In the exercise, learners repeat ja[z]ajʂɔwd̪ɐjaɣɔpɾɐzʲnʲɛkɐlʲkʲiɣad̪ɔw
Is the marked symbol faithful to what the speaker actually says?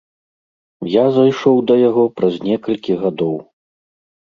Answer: yes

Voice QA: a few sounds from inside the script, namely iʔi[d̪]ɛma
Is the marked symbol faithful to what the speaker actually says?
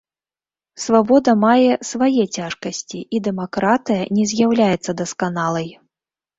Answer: yes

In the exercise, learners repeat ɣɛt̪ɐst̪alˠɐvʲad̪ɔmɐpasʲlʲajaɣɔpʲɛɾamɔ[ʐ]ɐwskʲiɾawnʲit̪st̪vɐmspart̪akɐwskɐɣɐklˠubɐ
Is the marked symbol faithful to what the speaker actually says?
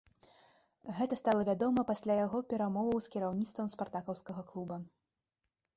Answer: no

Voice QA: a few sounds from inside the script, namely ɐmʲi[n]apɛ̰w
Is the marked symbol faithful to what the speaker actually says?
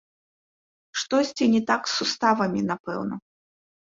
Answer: yes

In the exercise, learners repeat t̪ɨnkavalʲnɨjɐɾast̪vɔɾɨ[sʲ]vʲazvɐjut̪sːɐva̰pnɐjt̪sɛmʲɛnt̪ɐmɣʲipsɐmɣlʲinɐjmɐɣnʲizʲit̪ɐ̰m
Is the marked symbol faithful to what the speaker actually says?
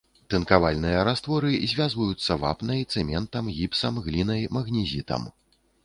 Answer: no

